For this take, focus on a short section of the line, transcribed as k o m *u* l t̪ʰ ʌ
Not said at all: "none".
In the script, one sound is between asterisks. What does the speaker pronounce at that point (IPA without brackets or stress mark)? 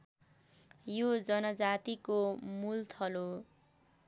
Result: u